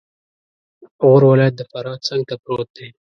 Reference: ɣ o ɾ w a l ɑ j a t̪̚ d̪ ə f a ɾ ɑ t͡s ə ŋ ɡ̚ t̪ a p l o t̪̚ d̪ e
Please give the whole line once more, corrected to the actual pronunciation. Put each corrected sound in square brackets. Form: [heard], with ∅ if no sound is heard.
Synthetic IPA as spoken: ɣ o ɾ w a l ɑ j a t̪̚ d̪ ə f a ɾ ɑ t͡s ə ŋ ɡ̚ t̪ a p [ɾ] o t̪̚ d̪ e